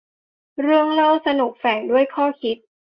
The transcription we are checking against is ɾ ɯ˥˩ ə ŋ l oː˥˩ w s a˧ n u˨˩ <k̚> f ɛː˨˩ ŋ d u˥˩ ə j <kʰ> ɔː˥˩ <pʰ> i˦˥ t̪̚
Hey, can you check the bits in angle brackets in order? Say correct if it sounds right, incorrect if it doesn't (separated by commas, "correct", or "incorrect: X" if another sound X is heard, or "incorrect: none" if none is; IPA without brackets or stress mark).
correct, correct, incorrect: kʰ